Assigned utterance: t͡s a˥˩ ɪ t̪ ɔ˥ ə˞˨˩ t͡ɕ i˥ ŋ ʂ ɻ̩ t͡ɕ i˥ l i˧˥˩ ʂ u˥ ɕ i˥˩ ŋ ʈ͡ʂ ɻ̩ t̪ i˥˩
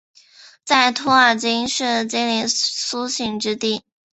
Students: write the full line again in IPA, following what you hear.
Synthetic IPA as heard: t͡s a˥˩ ɪ t̪ʰ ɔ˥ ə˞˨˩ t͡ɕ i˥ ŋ ʂ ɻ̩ t͡ɕ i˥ l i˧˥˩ s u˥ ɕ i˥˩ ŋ ʈ͡ʂ ɻ̩ t̪ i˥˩